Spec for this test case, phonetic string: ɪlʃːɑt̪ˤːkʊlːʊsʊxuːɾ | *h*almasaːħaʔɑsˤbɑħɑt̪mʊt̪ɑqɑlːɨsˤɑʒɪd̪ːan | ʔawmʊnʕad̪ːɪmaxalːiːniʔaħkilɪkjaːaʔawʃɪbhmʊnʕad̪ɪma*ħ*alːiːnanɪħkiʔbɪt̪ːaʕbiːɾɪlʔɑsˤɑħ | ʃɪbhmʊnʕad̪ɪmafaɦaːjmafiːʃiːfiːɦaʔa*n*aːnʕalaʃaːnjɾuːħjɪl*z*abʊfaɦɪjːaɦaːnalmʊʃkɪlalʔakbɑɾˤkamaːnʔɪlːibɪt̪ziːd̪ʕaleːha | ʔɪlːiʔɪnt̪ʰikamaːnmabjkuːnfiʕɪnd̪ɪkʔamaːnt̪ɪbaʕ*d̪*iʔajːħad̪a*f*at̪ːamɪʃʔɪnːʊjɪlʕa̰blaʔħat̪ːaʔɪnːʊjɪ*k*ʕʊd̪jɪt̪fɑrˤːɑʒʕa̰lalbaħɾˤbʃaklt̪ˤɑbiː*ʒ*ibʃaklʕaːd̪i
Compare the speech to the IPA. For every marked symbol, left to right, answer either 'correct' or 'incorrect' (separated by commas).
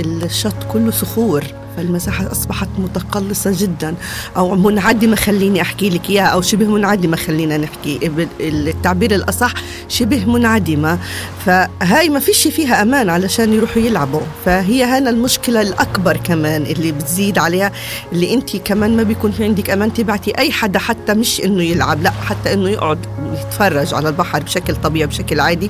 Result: incorrect, incorrect, incorrect, incorrect, incorrect, incorrect, incorrect, incorrect